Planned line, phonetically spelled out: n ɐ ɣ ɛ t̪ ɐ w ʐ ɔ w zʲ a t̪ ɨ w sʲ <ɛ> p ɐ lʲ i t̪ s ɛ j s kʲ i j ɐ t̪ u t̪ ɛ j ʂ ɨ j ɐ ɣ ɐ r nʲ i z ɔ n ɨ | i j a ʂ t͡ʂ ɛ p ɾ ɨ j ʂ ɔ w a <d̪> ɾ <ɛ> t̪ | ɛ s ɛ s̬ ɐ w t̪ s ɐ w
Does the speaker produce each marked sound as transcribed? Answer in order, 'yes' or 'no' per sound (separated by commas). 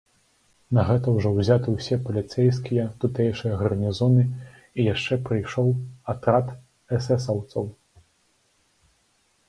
yes, no, no